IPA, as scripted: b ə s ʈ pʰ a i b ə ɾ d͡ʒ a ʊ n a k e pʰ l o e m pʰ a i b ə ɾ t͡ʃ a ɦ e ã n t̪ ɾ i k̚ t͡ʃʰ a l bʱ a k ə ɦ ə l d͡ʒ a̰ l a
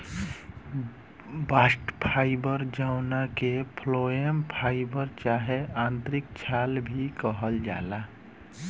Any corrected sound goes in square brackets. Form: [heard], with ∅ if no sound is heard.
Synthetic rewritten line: b [a] s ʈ pʰ a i b ə ɾ d͡ʒ a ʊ n a k e pʰ l o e m pʰ a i b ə ɾ t͡ʃ a ɦ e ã n t̪ ɾ i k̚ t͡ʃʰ a l bʱ [i] k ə ɦ ə l d͡ʒ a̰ l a